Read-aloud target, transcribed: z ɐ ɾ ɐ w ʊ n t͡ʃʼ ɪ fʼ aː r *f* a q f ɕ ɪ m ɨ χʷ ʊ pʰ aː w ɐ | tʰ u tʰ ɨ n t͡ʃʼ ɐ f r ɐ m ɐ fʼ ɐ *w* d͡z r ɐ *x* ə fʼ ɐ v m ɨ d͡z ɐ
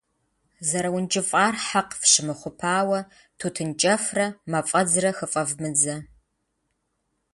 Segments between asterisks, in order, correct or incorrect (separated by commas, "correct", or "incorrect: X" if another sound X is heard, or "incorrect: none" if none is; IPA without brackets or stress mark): incorrect: ħ, incorrect: none, correct